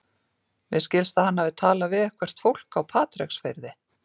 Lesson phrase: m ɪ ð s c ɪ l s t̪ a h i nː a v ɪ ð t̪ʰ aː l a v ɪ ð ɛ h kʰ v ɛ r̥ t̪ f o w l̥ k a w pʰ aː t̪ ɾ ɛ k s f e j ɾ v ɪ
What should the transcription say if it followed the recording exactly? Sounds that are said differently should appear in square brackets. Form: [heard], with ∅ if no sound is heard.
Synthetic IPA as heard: m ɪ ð s c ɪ l s t̪ a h [a] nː a v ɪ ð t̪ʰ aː l a v ɪ ð ɛ h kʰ v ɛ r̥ t̪ f o w l̥ k a w pʰ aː t̪ ɾ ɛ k s f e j ɾ [ð] ɪ